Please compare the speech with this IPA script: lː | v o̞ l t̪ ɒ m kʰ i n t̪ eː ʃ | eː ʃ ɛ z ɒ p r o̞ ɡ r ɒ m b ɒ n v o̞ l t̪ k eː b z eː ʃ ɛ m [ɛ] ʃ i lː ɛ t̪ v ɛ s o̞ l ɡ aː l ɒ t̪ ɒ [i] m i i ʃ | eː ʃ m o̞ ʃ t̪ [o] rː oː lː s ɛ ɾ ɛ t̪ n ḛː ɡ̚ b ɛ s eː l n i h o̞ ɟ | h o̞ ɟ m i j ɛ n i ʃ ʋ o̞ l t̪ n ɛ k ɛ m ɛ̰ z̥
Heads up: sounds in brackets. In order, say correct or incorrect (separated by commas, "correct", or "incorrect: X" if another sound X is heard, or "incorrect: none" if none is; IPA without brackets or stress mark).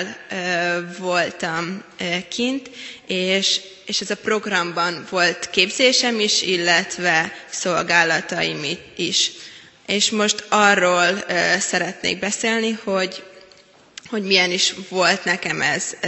incorrect: i, correct, incorrect: ɒ